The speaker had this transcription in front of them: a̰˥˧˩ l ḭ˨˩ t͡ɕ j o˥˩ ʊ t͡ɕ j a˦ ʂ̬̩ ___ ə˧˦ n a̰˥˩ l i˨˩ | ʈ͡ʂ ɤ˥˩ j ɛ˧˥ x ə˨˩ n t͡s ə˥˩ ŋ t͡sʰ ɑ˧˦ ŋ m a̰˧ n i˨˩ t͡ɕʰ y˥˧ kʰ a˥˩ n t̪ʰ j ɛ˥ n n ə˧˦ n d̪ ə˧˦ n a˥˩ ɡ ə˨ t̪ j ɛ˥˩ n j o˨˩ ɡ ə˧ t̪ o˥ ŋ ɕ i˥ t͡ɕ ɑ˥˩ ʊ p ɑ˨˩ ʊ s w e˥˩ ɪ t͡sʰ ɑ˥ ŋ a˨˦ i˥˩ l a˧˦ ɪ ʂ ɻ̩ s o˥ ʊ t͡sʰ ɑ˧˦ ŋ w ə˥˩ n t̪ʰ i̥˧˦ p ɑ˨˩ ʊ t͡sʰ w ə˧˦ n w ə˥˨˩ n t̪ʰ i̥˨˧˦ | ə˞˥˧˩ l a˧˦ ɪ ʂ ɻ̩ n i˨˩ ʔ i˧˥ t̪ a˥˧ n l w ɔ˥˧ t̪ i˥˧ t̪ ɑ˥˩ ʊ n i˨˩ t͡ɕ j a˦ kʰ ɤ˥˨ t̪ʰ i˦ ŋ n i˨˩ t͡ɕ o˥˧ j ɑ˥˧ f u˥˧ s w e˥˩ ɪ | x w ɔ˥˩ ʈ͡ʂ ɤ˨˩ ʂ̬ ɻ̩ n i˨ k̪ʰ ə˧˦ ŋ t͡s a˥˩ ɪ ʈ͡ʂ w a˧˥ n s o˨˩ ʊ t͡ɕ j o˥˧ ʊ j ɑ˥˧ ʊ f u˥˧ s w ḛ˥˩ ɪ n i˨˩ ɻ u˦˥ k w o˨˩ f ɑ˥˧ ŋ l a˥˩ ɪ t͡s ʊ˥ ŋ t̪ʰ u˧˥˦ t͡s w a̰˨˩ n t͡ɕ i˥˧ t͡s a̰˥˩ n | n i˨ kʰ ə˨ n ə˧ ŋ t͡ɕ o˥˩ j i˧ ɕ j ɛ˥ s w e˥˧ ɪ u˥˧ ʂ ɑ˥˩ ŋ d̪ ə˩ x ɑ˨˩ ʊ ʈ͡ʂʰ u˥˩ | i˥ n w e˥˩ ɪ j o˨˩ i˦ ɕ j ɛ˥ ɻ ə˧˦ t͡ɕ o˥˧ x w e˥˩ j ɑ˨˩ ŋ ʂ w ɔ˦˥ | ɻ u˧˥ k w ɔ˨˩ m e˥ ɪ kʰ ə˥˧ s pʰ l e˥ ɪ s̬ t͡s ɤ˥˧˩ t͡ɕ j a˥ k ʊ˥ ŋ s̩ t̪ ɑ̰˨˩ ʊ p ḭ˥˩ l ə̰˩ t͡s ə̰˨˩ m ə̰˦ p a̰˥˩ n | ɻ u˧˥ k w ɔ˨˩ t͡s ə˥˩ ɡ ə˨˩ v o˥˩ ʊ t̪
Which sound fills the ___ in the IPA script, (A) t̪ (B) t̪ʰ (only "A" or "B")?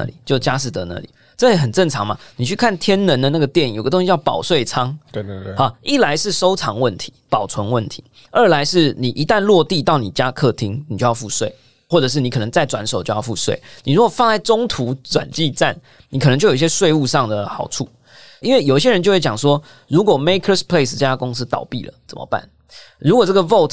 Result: A